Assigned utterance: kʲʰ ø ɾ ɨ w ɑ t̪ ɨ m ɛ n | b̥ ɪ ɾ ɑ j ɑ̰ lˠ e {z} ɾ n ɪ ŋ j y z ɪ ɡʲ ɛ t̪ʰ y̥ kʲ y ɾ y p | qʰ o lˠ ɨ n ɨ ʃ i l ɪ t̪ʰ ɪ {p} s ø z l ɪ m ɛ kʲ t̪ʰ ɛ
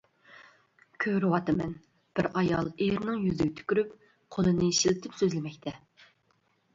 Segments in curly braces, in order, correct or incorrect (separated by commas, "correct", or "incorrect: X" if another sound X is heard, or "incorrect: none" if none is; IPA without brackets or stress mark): incorrect: none, correct